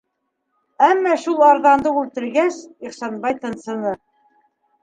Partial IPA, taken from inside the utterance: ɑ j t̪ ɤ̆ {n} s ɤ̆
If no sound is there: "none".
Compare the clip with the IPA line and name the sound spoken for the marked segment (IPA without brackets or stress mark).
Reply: n